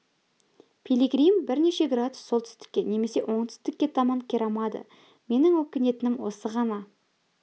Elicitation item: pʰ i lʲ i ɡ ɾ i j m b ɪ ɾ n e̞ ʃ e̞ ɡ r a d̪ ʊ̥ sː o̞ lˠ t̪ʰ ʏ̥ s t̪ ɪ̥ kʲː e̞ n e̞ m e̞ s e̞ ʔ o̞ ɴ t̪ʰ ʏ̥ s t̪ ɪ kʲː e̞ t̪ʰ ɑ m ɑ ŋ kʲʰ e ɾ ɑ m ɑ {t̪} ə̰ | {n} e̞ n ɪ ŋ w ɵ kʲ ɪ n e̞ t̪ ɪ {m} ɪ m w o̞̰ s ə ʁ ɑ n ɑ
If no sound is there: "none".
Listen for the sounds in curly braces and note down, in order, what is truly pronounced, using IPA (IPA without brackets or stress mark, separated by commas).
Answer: d̪, m, n